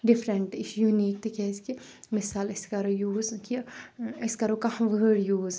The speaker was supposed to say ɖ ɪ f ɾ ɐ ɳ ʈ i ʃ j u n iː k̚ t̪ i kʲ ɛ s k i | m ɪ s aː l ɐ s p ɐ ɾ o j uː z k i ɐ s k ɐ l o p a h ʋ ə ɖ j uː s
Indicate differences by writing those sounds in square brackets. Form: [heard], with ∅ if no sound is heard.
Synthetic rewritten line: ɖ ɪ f ɾ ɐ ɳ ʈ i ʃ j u n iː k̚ t̪ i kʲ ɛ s k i | m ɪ s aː l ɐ s [k] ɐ ɾ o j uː z k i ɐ s k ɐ [ɾ] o [k] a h ʋ ə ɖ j uː [z]